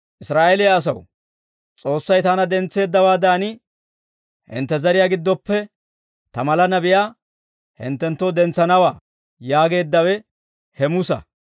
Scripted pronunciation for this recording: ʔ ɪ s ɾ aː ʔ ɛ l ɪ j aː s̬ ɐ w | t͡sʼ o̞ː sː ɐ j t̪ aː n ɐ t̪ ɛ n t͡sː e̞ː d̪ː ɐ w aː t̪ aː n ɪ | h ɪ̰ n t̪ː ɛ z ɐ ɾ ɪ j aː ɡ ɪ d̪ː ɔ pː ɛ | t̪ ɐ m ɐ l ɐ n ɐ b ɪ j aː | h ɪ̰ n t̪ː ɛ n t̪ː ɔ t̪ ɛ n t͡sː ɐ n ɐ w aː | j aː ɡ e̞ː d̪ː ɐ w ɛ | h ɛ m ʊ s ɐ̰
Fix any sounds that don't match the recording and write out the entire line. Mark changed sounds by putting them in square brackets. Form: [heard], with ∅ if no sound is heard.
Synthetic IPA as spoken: ʔ ɪ s ɾ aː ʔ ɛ l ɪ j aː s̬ ɐ w | t͡sʼ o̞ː sː ɐ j t̪ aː n ɐ [d̪] ɛ n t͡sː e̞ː d̪ː ɐ w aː [d̪] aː n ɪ | h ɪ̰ n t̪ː ɛ z ɐ ɾ ɪ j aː ɡ ɪ d̪ː ɔ pː ɛ | t̪ ɐ m ɐ l ɐ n ɐ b ɪ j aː | h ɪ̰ n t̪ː ɛ n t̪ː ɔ [d̪] ɛ n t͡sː ɐ n ɐ w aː | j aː ɡ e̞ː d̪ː ɐ w ɛ | h ɛ m ʊ s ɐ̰